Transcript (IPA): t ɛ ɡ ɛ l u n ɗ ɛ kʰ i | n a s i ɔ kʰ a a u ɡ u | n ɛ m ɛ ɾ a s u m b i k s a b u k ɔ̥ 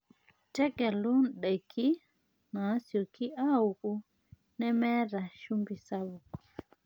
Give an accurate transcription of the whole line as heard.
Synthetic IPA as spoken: t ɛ ɡ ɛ l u n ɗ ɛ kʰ i | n a s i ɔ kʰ i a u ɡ u | n ɛ m ɛ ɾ a ʃ u m b i s a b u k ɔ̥